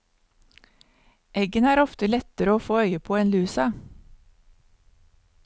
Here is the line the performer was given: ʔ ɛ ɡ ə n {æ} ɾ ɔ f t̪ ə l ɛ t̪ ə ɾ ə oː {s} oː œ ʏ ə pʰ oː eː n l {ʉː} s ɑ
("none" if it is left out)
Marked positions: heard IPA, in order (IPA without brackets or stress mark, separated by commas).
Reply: æː, f, ʉː